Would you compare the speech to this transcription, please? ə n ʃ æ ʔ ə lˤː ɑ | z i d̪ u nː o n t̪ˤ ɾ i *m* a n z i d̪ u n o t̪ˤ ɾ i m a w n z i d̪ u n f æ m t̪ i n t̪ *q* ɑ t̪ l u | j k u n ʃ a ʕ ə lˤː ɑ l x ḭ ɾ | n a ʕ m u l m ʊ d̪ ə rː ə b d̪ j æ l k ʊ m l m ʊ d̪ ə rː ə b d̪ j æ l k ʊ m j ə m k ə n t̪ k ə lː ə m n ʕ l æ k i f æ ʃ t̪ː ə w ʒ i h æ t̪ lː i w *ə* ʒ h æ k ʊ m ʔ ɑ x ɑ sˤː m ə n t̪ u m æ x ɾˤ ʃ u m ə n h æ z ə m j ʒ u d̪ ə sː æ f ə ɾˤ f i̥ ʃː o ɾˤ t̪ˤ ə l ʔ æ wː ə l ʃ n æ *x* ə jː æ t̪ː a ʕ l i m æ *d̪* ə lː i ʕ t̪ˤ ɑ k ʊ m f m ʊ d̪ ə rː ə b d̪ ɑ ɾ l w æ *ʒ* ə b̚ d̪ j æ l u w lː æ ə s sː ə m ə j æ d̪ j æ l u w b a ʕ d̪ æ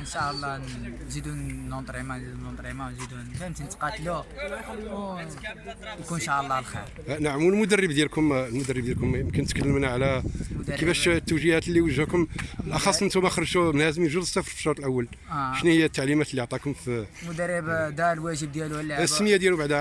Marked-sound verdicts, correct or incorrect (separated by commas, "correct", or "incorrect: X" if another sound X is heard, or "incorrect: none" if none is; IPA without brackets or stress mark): correct, correct, correct, incorrect: h, incorrect: t̪, correct